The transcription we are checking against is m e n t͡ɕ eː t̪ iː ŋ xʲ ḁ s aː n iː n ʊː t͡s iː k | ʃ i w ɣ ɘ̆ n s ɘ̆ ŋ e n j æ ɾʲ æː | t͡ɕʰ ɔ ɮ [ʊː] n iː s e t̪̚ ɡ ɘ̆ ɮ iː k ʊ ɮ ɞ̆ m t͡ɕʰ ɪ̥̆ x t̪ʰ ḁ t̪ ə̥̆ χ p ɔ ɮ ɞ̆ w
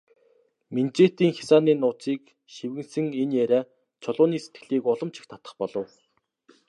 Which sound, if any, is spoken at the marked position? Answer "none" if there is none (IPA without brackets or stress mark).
ʊː